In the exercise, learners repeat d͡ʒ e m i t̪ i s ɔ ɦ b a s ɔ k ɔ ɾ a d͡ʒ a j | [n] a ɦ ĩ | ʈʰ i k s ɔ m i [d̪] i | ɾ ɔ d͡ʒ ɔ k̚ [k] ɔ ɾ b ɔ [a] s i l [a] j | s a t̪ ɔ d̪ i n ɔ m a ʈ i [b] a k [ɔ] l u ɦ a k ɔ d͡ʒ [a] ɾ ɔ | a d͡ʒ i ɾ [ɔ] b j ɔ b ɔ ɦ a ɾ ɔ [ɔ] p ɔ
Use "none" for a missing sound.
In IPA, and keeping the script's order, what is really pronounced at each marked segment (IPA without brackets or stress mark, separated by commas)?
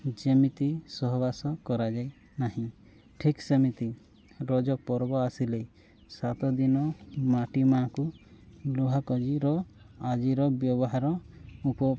n, t̪, p, a, e, m, u, i, ɔ, u